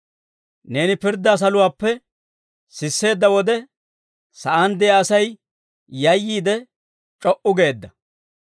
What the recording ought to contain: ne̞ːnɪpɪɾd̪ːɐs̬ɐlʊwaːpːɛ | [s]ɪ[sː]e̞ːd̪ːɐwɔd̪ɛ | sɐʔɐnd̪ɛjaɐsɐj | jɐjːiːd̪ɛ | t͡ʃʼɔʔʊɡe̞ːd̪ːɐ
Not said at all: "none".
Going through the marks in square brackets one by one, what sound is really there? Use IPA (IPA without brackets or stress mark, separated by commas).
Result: s, sː